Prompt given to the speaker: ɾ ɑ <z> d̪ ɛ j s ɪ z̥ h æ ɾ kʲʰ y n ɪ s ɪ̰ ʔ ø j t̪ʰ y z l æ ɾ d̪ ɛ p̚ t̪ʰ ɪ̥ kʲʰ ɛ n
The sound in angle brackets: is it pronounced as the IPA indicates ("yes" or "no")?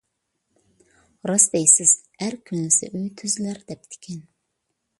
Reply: no